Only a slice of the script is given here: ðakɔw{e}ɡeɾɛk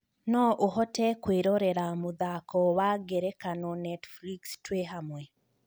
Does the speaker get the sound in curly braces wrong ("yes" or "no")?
yes